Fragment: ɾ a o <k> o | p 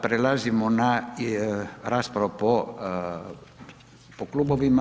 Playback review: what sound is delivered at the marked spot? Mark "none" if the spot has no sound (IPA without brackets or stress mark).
p